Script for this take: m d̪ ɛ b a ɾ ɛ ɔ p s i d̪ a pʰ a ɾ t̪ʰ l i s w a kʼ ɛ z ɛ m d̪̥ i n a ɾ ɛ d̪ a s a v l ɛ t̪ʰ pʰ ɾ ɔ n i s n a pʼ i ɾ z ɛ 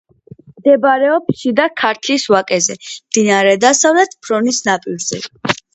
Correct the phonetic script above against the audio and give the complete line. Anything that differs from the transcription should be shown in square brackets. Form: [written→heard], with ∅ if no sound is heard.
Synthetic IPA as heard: m d̪ ɛ b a ɾ ɛ ɔ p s i d̪ a [pʰ→kʰ] a ɾ t̪ʰ l i s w a kʼ ɛ z ɛ m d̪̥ i n a ɾ ɛ d̪ a s a v l ɛ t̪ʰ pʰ ɾ ɔ n i s n a pʼ i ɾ z ɛ

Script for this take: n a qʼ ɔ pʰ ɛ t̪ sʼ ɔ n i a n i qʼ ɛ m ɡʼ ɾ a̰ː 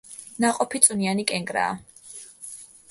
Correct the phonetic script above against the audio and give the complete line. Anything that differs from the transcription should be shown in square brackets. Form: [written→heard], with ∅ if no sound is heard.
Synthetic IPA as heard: n a qʼ ɔ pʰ [ɛ→i] t̪ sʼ [ɔ→u] n i a n i [qʼ→kʼ] ɛ [m→ŋ] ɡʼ ɾ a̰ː

